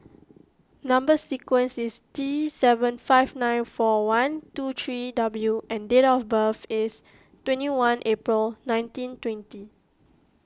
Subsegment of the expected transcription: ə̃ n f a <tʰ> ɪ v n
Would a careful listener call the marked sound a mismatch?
yes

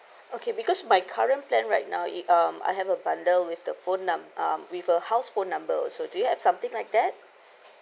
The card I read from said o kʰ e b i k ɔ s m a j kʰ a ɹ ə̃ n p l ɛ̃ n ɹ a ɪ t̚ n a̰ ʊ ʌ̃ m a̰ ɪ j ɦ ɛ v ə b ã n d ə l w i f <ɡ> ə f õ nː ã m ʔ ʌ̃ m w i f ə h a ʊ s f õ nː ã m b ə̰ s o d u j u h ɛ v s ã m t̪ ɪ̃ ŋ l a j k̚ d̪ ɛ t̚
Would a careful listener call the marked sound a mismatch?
yes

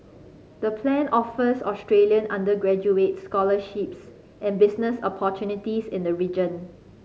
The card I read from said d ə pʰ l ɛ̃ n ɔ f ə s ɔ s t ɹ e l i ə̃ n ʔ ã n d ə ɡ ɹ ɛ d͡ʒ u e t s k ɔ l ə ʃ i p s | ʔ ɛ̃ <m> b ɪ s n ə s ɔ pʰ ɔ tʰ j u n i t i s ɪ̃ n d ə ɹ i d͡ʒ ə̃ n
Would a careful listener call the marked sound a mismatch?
yes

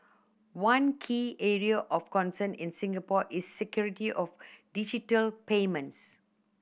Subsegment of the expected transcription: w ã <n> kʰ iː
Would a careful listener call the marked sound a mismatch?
no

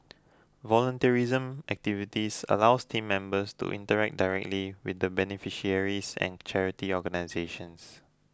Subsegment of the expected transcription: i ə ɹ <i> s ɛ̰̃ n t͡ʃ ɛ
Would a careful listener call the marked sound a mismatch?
no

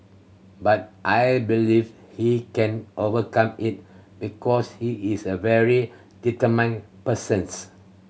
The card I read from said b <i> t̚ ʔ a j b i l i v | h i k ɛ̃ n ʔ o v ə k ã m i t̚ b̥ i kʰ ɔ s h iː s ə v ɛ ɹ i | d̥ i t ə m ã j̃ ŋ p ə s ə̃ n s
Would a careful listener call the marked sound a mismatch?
yes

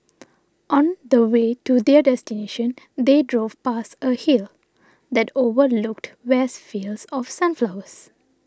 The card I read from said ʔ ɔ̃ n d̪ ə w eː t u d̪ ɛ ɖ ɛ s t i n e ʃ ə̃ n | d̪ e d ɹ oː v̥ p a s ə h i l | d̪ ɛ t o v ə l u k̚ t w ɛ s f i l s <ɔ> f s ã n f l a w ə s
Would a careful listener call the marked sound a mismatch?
no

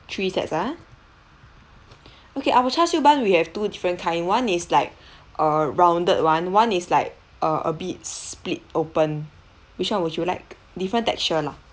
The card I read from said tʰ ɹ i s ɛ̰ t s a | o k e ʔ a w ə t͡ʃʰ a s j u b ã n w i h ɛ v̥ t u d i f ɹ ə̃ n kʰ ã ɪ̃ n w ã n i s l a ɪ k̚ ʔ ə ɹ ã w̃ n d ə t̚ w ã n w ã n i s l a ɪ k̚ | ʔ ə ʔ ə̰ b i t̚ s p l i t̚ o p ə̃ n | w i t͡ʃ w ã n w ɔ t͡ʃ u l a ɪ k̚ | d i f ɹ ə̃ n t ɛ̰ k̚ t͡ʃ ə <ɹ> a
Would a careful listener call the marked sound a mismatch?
yes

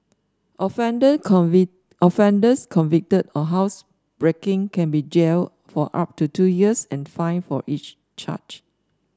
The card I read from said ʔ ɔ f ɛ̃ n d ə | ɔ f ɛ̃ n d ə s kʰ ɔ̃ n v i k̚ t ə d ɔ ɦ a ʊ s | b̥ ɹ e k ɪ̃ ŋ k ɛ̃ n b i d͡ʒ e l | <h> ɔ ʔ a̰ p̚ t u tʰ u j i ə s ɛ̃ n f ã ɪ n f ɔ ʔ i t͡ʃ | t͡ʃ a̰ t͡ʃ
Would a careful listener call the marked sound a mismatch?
yes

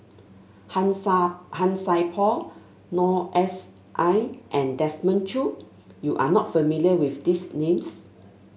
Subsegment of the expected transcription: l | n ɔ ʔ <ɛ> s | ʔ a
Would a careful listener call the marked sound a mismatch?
no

